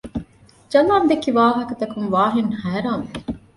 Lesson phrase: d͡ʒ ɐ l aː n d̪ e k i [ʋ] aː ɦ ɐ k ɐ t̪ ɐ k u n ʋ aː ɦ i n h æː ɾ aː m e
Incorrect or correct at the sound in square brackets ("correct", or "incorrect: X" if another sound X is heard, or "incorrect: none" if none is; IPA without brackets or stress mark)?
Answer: correct